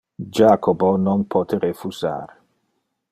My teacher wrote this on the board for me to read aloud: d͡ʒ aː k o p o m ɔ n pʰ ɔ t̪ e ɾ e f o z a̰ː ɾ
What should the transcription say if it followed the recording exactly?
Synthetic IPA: d͡ʒ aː k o b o n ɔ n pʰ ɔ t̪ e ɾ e f u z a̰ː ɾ

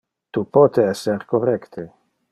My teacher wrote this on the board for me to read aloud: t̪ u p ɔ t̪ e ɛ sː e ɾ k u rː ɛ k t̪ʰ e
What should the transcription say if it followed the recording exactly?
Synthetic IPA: t̪ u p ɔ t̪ e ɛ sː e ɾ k o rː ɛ k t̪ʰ e

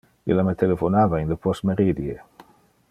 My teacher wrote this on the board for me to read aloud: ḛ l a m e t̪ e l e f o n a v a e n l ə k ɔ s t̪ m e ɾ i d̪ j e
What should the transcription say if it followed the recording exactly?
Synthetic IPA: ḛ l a m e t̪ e l e f o n a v a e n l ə p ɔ s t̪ m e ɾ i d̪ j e

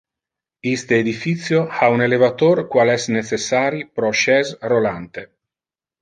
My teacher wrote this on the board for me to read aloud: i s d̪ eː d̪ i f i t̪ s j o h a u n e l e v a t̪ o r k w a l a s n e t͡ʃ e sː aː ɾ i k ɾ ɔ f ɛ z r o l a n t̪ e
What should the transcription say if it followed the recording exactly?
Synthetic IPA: i s t̪ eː d̪ i f i t̪ s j o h a u n e l e v a t̪ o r k w a l ɛ s n e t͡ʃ e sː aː ɾ i p ɾ ɔ ʃ ɛ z r o l a n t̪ e

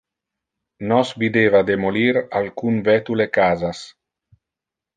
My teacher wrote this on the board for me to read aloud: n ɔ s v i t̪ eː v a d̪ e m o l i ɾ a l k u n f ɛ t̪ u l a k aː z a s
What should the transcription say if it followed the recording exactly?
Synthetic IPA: n ɔ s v i d̪ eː v a d̪ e m o l i ɾ a l k u n v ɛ t̪ u l e k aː z a s

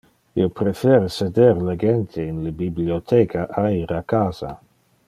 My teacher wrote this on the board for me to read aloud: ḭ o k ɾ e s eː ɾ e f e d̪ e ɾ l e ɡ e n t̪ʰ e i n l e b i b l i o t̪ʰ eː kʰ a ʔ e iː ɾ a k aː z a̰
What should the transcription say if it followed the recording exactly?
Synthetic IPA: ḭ o p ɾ e f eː ɾ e s e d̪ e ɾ l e ɡ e n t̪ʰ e i n l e b i b l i o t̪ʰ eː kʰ a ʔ a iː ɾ a k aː z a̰

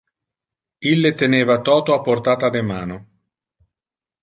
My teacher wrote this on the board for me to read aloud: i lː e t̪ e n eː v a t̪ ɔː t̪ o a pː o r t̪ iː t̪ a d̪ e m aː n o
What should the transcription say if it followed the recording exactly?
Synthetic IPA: i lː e t̪ e n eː v a t̪ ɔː t̪ o a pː o r t̪ aː t̪ a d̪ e m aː n o

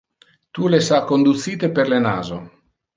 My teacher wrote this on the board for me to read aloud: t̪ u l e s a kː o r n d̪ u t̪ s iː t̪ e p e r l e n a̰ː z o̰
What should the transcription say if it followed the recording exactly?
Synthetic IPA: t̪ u l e s a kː o n d̪ u t̪ s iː t̪ e p e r l e n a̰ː z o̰

